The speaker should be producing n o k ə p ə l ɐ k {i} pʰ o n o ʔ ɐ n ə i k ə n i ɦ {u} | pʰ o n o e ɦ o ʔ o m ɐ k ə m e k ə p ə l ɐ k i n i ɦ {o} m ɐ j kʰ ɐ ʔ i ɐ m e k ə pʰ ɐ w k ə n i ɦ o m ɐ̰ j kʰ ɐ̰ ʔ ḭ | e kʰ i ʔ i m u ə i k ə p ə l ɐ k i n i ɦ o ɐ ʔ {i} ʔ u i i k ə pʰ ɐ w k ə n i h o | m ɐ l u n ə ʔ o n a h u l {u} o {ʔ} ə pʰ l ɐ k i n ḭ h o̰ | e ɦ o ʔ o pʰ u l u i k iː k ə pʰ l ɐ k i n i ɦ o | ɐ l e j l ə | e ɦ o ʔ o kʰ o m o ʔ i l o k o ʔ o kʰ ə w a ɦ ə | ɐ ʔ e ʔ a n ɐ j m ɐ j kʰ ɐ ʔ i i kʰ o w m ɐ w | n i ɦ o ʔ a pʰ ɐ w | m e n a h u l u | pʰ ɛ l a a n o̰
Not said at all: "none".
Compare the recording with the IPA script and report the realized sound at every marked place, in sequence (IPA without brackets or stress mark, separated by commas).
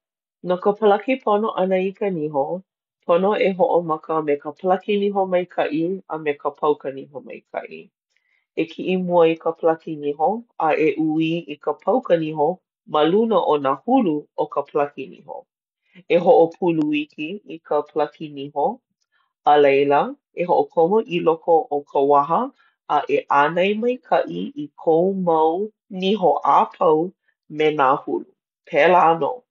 i, o, o, e, u, k